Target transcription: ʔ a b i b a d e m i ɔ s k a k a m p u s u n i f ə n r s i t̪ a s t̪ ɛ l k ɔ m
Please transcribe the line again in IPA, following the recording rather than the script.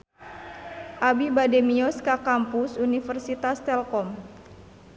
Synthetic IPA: ʔ a b i b a d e m i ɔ s k a k a m p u s u n i f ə r s i t̪ a s t̪ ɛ l k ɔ m